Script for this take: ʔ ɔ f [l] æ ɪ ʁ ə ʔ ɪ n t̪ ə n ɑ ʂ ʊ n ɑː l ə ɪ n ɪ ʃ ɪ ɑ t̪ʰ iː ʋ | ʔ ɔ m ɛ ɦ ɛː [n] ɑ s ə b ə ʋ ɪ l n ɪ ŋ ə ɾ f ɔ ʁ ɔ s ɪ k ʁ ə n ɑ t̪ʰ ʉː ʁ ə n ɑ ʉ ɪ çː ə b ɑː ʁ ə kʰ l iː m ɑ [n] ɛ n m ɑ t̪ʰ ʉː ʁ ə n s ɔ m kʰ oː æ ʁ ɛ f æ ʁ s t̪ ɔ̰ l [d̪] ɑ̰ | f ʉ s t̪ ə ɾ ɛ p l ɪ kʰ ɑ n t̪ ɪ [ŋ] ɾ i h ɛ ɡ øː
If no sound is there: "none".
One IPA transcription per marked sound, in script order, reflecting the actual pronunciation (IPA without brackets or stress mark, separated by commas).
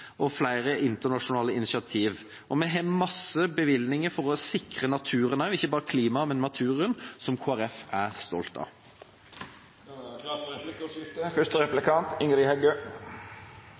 l, m, m, t̪, ŋ